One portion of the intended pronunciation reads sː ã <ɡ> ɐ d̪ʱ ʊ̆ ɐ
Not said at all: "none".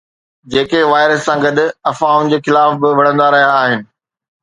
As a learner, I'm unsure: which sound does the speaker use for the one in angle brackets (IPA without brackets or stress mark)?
ɡ